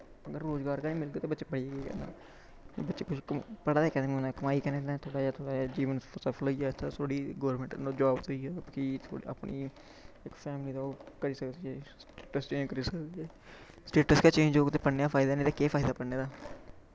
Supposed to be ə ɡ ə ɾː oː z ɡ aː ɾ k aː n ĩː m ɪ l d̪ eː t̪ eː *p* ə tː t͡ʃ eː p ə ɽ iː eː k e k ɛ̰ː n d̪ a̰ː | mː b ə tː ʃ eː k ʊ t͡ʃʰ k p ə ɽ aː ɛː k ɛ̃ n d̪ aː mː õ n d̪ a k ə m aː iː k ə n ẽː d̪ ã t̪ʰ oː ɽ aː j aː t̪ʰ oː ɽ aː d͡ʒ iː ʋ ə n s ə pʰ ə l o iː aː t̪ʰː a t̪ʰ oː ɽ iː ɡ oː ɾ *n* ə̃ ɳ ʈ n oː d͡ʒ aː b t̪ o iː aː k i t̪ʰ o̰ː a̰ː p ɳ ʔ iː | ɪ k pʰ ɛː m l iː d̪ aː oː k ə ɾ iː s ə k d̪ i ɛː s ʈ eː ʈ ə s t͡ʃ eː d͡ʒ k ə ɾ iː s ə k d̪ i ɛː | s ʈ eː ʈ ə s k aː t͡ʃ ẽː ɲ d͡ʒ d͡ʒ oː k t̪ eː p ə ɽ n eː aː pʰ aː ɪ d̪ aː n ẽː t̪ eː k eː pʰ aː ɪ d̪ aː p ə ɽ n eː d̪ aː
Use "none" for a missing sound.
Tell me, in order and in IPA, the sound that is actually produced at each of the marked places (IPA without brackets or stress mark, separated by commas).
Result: b, m